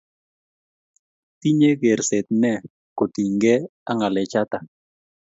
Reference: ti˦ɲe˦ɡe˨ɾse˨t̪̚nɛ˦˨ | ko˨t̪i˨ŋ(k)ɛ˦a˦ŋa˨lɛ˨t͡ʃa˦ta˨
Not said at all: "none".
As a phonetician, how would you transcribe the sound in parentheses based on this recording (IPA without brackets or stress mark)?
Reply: ɡ